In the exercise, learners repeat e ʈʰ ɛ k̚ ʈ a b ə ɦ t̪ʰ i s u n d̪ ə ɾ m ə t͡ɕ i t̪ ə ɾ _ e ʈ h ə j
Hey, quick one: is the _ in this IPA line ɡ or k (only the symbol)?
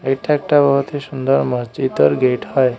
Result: ɡ